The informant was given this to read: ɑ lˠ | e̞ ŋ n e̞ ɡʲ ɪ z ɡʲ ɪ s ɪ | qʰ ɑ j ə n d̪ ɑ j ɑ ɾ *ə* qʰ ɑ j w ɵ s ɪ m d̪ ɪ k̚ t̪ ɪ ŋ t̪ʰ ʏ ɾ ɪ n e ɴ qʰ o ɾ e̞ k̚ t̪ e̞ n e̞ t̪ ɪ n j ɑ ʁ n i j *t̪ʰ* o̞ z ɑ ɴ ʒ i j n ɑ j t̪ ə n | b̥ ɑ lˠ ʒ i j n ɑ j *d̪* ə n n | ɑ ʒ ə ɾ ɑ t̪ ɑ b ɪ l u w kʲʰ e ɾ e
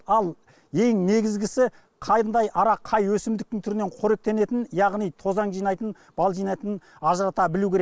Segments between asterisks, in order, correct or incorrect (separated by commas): incorrect, correct, incorrect